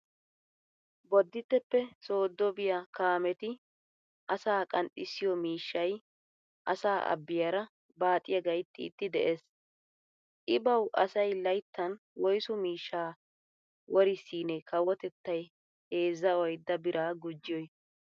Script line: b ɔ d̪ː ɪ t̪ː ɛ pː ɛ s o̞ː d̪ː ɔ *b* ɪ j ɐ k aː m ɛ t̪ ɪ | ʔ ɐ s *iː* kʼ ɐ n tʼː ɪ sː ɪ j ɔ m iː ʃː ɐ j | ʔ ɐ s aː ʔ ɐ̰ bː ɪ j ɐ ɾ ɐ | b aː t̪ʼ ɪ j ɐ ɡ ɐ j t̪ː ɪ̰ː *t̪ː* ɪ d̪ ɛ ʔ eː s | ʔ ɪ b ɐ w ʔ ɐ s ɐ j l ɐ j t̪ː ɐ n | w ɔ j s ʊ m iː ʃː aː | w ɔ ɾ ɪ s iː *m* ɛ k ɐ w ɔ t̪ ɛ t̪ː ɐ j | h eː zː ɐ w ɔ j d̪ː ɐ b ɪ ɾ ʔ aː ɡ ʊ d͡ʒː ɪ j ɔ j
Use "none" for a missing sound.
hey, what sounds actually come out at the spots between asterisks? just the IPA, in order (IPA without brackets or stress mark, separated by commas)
b, aː, t̪ː, n